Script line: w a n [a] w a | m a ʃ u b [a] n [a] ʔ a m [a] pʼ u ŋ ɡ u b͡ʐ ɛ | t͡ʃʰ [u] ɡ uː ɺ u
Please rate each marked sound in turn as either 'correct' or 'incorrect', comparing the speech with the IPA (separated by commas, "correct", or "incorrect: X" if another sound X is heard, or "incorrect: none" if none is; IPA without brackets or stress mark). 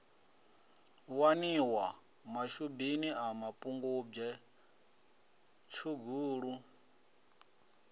incorrect: i, incorrect: i, incorrect: i, correct, correct